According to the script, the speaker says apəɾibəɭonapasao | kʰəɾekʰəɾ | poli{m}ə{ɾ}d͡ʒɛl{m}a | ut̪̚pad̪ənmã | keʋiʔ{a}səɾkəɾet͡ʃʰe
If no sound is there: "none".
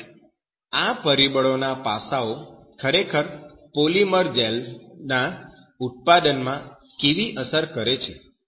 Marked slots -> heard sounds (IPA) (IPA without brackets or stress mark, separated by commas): m, ɾ, n, ə